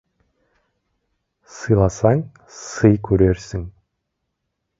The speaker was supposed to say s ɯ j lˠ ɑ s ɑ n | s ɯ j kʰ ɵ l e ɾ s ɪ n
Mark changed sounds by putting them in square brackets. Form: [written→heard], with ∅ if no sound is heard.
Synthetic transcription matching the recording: s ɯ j lˠ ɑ s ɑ [n→ŋ] | s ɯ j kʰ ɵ [l→ɾ] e ɾ s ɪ [n→ŋ]